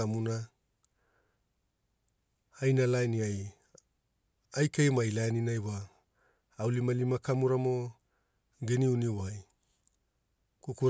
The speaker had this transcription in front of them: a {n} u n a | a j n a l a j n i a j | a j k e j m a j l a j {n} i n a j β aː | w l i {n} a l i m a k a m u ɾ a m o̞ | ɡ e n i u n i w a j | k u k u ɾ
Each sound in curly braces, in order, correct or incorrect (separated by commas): incorrect, correct, incorrect